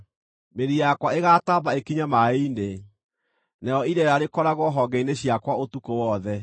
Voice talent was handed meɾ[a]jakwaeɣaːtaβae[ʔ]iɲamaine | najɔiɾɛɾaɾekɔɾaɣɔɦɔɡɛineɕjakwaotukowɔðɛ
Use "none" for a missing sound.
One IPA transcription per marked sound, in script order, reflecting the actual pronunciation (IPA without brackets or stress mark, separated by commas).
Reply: i, k